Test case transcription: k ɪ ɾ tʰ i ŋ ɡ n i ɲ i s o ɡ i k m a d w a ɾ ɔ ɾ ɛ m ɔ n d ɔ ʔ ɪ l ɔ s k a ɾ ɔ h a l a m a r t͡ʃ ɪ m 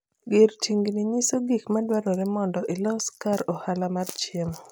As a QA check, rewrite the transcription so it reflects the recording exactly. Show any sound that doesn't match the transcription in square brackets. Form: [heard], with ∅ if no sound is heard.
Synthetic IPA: [ɡ] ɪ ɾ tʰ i ŋ ɡ n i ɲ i s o ɡ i k m a d w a ɾ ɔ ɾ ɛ m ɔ n d ɔ ʔ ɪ l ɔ s k a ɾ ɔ h a l a m a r t͡ʃ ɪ m